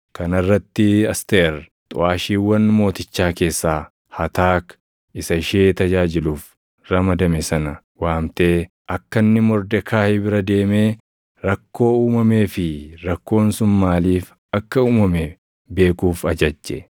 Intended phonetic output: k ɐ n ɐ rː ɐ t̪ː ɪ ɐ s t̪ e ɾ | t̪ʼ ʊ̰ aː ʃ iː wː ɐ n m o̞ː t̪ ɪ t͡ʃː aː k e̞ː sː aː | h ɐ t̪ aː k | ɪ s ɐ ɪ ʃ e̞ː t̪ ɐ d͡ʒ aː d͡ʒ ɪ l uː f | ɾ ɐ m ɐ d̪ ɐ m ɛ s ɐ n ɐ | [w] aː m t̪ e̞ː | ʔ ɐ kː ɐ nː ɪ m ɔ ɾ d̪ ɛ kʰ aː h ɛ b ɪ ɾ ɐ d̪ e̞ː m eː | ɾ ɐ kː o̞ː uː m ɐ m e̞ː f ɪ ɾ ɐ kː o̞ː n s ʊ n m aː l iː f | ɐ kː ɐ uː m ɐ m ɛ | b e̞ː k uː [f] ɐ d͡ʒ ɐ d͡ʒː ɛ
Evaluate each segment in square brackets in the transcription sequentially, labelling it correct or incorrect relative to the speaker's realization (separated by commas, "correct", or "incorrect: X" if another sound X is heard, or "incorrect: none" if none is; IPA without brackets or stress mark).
correct, correct